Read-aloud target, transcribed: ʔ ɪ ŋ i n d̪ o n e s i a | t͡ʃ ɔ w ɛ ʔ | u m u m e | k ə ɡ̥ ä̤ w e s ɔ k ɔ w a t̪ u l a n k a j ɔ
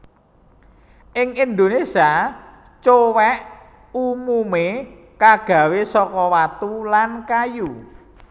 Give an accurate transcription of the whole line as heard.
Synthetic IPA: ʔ ɪ ŋ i n d̪ o n e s i a | t͡ʃ o w ɛ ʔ | u m u m e | k a ɡ̥ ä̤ w e s ɔ k ɔ w a t̪ u l a n k a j u